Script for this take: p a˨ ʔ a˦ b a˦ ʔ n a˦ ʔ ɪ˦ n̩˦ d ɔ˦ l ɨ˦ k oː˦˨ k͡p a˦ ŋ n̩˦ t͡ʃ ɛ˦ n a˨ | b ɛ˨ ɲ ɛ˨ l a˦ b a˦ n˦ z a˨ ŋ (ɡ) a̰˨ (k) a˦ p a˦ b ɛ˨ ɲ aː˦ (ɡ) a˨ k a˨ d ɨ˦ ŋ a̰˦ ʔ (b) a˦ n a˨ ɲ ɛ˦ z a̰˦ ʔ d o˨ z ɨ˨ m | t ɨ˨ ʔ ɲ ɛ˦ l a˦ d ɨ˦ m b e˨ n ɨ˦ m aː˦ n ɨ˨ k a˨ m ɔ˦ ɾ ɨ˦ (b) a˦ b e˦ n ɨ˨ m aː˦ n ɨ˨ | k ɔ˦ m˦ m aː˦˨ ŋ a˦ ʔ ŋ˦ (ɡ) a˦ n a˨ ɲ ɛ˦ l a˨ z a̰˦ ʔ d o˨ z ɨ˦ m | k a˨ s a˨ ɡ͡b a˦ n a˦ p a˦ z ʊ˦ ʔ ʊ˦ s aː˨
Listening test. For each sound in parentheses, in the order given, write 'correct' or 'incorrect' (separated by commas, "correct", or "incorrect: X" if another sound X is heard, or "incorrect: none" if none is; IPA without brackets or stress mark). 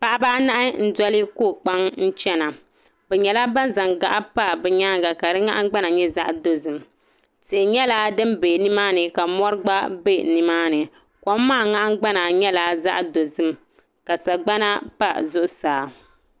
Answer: correct, incorrect: ʔ, correct, incorrect: ɡ͡b, incorrect: ɡ͡b, incorrect: ɡ͡b